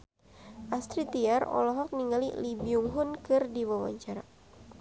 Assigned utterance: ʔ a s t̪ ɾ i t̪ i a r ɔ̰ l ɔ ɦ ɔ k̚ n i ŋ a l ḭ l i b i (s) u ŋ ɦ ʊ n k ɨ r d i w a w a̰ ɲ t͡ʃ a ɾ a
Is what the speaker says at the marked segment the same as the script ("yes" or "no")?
no